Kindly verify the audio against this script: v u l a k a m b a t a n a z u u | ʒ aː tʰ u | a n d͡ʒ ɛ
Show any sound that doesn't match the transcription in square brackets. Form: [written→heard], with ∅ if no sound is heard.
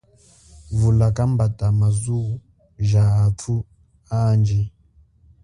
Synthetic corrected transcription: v u l a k a m b a t a [n→m] a z u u | ʒ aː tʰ u | a n d͡ʒ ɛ